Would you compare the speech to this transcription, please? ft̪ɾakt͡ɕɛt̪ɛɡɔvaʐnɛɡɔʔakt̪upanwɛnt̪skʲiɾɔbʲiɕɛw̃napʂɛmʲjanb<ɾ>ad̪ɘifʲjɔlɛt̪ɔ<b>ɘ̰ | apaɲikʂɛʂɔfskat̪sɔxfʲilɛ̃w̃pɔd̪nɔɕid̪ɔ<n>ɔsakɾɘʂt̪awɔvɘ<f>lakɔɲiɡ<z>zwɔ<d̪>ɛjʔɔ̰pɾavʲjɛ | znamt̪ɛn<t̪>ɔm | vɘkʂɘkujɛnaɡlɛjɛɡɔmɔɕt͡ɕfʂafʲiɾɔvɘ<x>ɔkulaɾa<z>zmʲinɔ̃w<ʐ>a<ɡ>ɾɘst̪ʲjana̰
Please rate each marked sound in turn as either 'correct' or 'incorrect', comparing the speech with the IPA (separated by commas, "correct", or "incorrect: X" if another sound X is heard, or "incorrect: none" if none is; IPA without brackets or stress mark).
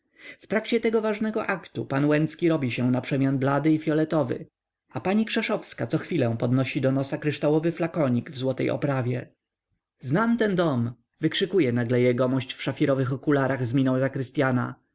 incorrect: l, incorrect: v, correct, correct, incorrect: v, incorrect: t̪, incorrect: d̪, correct, incorrect: ɣ, incorrect: z, incorrect: k